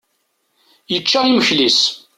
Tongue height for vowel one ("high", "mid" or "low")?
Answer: mid